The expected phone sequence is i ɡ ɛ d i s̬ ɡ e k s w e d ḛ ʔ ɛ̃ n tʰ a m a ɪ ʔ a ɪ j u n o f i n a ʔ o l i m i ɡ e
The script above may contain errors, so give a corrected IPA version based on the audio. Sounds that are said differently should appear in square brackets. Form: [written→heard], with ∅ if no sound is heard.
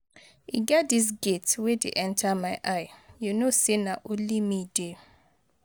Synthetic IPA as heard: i ɡ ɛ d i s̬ ɡ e [k→t] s w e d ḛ ʔ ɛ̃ n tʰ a m a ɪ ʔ a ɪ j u n o [f→s] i n a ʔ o l i m i [ɡ→d] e

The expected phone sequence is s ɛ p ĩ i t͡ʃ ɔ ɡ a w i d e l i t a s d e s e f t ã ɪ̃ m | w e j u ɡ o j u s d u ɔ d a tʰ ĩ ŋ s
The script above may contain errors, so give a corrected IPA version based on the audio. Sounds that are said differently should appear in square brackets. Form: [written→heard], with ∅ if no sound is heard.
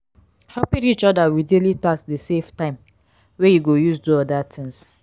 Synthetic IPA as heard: [s→h] ɛ p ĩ i t͡ʃ ɔ [ɡ→d] a w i d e l i t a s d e s e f t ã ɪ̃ m | w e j u ɡ o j u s d u ɔ d a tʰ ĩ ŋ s

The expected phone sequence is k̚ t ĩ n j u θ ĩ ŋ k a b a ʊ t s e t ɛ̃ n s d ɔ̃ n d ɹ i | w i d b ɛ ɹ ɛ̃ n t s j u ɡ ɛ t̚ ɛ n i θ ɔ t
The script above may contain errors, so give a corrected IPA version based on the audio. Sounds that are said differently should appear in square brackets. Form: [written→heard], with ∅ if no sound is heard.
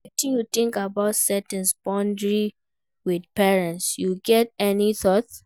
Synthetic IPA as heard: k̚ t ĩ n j u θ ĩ ŋ k a b a ʊ t s [e→ɛ] t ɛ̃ n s [d→b] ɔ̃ n d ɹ i | w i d [b→p] ɛ ɹ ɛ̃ n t s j u ɡ ɛ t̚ ɛ n i θ ɔ t

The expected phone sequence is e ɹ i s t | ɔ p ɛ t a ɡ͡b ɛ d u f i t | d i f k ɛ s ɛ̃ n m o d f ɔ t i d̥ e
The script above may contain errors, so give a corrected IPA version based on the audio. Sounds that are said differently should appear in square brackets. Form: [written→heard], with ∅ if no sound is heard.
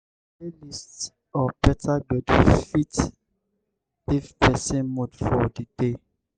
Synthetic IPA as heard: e [ɹ→l] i s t | ɔ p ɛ t a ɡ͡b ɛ d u f i t | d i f [k→p] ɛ s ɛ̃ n m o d f ɔ [t→d] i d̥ e

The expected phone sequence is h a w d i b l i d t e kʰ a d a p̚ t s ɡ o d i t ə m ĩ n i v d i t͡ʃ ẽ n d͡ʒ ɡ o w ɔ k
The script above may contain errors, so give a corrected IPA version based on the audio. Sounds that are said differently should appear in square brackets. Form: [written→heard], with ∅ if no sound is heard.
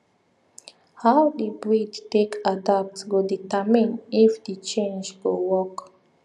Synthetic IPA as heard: h a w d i b [l→ɹ] i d t e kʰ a d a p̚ t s ɡ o d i t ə m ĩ n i [v→f] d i t͡ʃ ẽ n d͡ʒ ɡ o w ɔ k

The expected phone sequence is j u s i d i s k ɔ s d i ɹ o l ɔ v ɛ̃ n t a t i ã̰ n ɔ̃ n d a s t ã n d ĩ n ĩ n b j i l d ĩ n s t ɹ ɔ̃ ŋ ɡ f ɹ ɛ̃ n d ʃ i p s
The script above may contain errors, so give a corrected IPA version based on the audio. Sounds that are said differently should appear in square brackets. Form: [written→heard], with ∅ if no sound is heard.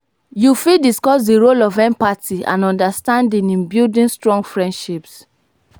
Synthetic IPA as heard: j u [s→f] i d i s k ɔ s d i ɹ o l ɔ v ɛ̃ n [t→p] a t i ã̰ n ɔ̃ n d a s t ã n d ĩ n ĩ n b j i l d ĩ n s t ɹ ɔ̃ ŋ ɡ f ɹ ɛ̃ n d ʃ i p s

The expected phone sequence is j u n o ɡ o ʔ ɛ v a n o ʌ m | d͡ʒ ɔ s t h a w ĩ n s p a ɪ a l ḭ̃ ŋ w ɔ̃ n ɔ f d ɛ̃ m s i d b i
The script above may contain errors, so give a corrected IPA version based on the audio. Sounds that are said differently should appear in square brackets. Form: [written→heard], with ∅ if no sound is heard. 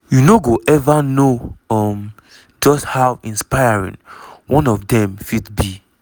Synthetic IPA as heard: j u n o ɡ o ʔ ɛ v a n o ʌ m | d͡ʒ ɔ s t h a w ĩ n s p a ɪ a [l→ɹ] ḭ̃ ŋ w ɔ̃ n ɔ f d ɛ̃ m [s→f] i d b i

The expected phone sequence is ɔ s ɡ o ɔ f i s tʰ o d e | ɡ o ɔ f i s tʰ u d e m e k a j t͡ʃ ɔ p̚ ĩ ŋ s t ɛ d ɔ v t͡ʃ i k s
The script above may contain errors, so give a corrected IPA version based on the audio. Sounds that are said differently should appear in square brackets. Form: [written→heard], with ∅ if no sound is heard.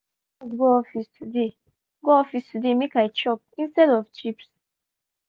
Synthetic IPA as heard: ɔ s ɡ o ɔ f i s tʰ [o→u] d e | ɡ o ɔ f i s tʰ u d e m e k a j t͡ʃ ɔ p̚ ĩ [ŋ→n] s t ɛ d ɔ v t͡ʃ i [k→p] s

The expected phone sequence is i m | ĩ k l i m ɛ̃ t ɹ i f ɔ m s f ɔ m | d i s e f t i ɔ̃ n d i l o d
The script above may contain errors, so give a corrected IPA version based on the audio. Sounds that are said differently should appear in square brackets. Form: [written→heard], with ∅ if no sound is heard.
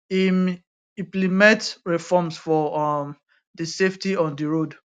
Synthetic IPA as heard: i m | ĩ [k→p] l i m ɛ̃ t ɹ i f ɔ m s f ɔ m | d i s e f t i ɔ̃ n d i [l→ɹ] o d

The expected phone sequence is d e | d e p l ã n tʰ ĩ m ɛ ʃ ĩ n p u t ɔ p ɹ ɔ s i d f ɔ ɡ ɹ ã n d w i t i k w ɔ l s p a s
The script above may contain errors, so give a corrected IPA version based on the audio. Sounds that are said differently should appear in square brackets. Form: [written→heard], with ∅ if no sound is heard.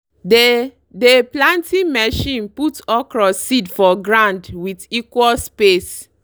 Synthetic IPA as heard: d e | d e p l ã n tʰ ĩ m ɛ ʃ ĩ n p u t ɔ [p→k] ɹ ɔ s i d f ɔ ɡ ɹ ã n d w i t i k w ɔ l s p [a→e] s

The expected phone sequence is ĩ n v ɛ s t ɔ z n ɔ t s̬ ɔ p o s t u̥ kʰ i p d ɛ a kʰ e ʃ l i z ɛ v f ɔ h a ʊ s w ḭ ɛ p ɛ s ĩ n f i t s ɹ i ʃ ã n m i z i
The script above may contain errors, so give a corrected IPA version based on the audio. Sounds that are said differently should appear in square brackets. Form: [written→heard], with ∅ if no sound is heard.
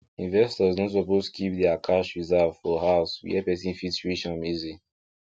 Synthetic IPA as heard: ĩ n v ɛ s t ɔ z n ɔ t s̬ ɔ p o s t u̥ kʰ i p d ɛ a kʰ [e→a] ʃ [l→ɹ] i z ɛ v f ɔ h a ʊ s w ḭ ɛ p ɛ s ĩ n f i t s ɹ i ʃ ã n m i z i

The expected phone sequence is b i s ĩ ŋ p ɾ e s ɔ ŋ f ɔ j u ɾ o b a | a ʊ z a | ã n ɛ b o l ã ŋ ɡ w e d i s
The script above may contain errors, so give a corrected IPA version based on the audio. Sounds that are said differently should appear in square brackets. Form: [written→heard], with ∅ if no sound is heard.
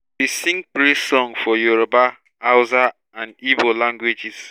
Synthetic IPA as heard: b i s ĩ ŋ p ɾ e s ɔ ŋ f ɔ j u ɾ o b a | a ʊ z a | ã n [ɛ→i] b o l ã ŋ ɡ w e [d→d͡ʒ] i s

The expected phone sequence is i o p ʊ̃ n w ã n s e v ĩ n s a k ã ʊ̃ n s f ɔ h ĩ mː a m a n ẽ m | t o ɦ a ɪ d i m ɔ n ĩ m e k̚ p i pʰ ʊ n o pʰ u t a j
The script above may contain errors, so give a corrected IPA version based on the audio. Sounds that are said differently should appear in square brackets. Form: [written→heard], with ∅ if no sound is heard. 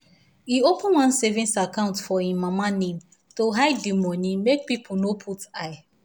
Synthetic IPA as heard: i o p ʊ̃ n w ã n s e v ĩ n s a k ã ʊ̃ n [s→t] f ɔ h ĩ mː a m a n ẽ m | t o ɦ a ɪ d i m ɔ n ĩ m e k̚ p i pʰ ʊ n o pʰ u t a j

